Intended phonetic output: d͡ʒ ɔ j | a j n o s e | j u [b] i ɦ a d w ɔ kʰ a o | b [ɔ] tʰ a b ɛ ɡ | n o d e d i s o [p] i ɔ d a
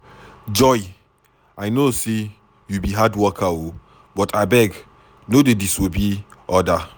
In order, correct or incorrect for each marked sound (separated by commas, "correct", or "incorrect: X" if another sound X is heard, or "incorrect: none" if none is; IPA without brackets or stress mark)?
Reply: correct, correct, incorrect: b